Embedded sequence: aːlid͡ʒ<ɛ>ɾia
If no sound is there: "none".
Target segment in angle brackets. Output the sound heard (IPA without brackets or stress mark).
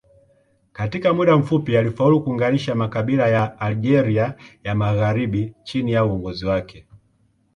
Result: ɛ